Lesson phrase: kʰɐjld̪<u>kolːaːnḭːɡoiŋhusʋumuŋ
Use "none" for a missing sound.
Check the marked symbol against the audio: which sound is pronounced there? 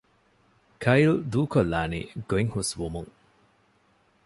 uː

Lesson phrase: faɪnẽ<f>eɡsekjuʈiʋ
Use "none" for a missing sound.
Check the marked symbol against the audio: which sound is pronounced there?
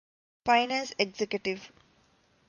s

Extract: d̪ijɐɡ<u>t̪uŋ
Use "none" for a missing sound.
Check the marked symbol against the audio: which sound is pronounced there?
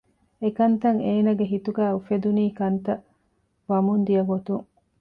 o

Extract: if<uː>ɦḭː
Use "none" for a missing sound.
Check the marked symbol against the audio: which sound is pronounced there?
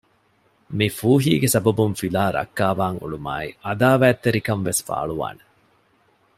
uː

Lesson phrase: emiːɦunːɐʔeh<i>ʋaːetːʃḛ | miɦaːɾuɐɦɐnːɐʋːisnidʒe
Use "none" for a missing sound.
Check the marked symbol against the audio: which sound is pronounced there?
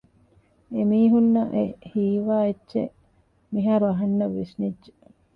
iː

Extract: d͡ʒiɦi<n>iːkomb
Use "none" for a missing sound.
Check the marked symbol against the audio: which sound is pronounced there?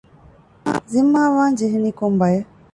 n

